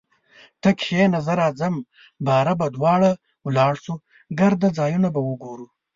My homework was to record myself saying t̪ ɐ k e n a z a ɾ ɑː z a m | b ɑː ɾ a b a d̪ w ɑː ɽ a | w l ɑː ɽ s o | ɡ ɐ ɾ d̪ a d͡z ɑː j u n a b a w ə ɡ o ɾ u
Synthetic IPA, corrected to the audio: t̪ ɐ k e n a z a ɾ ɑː z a m | b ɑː ɾ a b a d̪ w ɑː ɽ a | w l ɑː ɽ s u | ɡ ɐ ɾ d̪ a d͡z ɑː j u n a b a w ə ɡ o ɾ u